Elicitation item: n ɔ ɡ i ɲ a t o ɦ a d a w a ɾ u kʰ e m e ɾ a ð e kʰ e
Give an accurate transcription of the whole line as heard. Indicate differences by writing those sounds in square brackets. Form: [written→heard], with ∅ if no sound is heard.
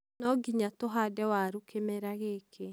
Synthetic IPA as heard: n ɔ ɡ i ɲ a t o ɦ a d [a→ɛ] w a ɾ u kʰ e m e ɾ a [ð→ɣ] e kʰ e